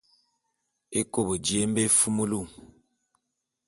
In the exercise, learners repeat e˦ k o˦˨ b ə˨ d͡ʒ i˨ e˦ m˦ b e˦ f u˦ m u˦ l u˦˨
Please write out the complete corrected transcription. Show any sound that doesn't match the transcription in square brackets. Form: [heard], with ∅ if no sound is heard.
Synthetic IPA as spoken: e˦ k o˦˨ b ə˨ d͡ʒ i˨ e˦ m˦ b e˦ f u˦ m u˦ l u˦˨